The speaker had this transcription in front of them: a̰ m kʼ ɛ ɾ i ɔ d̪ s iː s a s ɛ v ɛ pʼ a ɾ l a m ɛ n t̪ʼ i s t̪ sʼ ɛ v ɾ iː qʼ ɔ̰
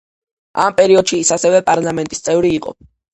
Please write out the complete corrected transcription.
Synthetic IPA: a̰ m pʼ ɛ ɾ i ɔ d̪ ʃ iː s a s ɛ v ɛ pʼ a ɾ l a m ɛ n t̪ʼ i s t̪ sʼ ɛ v ɾ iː qʼ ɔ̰